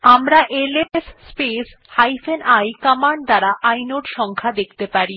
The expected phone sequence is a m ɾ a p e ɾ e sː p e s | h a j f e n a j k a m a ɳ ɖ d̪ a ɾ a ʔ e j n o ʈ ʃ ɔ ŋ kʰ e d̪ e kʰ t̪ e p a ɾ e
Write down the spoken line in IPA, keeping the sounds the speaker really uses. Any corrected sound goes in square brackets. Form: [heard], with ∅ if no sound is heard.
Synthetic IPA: a m ɾ a [ʔ] e [l] e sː p e s | h a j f e n a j k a m a ɳ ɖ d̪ a ɾ a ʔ [a] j n o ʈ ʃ ɔ ŋ kʰ [a] d̪ e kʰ t̪ e p a ɾ [i]